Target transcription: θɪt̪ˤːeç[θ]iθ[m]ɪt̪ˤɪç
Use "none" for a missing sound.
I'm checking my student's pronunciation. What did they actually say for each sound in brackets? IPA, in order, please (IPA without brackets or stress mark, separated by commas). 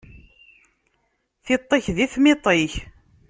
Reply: ð, m